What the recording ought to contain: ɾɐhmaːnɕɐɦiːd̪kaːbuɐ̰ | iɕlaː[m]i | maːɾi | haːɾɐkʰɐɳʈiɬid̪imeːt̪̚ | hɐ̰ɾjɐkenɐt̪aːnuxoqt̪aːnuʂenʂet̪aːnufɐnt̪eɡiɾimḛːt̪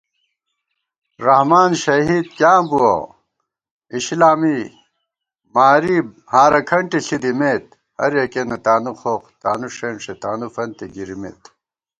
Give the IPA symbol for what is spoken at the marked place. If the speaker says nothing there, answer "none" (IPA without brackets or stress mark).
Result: m